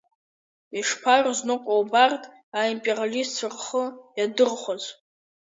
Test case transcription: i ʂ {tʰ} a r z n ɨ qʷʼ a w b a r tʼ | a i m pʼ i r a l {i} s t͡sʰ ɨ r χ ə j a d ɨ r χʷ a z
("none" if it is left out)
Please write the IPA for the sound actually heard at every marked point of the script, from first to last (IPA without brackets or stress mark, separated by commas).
pʰ, i